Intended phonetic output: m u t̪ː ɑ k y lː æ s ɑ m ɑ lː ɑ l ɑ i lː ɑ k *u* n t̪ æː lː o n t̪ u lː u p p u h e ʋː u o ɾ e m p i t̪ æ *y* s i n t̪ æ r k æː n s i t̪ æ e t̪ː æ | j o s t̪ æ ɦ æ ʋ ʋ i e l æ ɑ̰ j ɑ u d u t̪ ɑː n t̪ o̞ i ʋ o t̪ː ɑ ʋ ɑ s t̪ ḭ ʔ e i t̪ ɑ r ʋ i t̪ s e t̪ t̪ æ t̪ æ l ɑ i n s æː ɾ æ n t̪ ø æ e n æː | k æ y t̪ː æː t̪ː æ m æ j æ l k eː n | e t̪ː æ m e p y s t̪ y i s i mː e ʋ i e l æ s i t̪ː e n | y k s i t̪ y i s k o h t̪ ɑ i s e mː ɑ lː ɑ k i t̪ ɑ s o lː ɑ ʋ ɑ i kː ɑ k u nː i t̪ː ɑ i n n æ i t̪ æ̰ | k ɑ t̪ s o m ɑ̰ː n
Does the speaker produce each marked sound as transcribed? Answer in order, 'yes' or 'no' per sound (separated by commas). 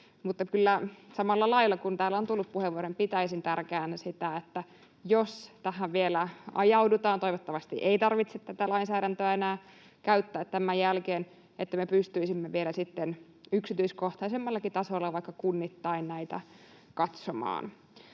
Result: yes, no